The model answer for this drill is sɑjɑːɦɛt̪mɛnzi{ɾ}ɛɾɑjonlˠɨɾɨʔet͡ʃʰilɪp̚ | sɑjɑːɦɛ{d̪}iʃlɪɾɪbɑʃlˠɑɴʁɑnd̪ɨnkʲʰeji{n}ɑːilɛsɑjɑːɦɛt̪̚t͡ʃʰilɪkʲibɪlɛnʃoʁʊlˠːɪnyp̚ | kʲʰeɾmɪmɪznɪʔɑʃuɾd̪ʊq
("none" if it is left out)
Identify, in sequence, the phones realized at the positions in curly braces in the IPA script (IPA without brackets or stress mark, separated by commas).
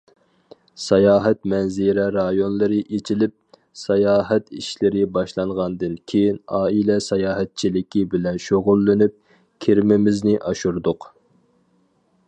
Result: ɾ, t̪, n